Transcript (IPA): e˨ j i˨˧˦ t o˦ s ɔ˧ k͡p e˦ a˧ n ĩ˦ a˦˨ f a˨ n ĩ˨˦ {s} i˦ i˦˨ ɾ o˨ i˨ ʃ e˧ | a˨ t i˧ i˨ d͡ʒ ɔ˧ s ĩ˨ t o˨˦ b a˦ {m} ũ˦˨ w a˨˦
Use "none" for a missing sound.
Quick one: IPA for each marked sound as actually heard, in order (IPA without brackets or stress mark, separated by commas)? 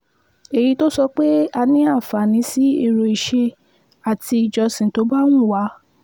s, n